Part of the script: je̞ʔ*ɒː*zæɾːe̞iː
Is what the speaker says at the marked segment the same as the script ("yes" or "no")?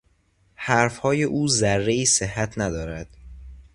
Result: no